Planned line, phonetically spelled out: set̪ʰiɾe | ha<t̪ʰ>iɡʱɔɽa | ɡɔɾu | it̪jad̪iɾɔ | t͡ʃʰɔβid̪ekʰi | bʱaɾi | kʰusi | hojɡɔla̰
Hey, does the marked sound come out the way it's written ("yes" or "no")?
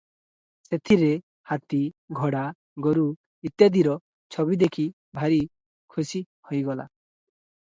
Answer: no